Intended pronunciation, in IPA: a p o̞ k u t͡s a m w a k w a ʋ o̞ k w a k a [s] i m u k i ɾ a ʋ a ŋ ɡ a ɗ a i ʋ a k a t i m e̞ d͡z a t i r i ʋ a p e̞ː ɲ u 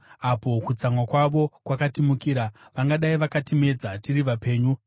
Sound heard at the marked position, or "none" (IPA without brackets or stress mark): t